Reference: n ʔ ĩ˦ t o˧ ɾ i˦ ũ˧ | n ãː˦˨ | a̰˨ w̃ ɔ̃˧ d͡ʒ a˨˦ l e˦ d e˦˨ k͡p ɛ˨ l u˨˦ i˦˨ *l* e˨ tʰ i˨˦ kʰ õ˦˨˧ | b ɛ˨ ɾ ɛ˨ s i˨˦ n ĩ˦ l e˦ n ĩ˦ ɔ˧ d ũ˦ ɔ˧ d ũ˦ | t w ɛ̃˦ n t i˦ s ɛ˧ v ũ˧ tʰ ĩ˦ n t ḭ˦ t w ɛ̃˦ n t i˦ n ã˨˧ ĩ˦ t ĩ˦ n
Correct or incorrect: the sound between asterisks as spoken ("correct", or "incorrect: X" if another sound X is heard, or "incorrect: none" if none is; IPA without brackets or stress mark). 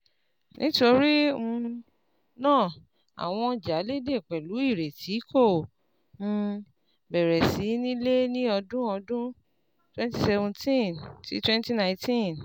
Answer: incorrect: ɾ